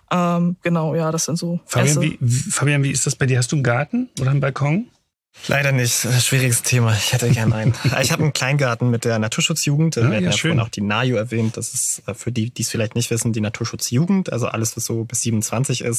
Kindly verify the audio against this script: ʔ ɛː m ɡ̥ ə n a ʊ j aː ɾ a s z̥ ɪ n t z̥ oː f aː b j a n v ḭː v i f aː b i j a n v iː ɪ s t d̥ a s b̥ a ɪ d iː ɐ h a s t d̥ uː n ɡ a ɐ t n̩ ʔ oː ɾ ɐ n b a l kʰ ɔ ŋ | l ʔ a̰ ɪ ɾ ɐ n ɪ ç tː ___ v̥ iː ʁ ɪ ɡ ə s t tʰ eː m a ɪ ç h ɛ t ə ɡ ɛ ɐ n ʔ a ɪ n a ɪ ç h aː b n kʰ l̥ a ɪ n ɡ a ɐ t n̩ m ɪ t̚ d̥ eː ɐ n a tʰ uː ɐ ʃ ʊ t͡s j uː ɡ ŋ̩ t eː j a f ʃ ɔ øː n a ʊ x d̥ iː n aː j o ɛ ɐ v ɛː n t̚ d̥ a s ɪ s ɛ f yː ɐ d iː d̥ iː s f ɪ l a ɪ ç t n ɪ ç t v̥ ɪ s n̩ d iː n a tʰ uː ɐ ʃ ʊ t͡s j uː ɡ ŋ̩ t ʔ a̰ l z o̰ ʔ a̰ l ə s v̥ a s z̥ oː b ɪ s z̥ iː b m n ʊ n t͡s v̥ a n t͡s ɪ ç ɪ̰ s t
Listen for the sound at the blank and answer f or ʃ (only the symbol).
ʃ